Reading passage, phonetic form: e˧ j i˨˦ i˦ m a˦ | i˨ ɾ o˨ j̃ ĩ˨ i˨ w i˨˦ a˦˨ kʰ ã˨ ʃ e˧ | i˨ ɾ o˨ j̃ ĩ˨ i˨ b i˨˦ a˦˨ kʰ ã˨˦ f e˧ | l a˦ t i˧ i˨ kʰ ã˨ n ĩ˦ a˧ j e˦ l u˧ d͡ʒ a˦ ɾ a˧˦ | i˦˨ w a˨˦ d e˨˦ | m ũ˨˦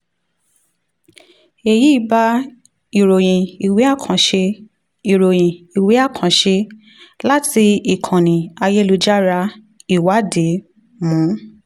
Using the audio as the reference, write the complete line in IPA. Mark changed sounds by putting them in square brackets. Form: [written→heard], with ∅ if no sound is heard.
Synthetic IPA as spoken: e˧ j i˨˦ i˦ [m→b] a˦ | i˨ ɾ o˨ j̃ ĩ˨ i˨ w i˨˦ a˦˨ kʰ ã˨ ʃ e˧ | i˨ ɾ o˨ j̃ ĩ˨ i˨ [b→w] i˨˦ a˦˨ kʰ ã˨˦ [f→ʃ] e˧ | l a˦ t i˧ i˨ kʰ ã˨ n [ĩ˦→ĩ˨] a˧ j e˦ l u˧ d͡ʒ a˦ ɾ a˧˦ | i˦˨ w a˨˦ d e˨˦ | m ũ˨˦